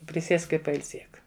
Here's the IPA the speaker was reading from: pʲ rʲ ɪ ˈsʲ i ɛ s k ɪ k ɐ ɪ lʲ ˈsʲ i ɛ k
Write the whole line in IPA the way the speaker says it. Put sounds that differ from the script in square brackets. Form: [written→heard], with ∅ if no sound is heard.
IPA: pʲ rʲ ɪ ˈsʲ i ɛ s k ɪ [k→p] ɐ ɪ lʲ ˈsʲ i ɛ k